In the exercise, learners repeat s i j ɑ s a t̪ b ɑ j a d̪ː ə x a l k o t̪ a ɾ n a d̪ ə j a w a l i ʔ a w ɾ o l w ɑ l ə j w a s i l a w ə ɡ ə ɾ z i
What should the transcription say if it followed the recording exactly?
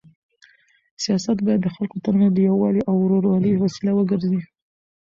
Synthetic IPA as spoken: s i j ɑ s a t̪ b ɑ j a d̪ː ə x a l k o t̪ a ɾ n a d̪ ə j a w ɑ l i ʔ a w ɾ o ɾ w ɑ l ə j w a s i l a w ə ɡ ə ɾ z i